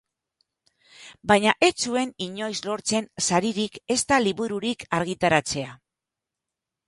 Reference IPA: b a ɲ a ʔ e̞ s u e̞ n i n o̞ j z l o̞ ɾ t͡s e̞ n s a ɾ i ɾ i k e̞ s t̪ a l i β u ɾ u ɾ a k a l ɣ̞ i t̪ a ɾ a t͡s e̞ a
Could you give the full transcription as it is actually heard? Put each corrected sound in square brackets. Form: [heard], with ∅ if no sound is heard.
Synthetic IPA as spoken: b a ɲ a ʔ e̞ [t͡s] u e̞ n i [ɲ] o̞ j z l o̞ ɾ t͡s e̞ n s a ɾ i ɾ i k e̞ s t̪ a l i β u ɾ u ɾ [i] k a [ɾ] ɣ̞ i t̪ a ɾ a t͡s e̞ a